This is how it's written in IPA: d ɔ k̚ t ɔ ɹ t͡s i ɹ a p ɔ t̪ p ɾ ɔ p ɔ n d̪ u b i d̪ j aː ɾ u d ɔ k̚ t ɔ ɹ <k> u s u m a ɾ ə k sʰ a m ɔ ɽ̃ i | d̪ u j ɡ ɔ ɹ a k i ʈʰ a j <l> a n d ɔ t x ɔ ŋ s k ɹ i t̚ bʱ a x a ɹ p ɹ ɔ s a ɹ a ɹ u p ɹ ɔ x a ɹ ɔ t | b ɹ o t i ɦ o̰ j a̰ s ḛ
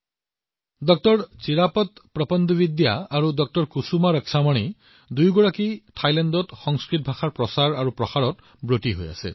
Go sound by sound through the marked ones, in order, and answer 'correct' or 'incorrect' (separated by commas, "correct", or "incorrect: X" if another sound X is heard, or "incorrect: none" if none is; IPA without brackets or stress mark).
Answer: correct, correct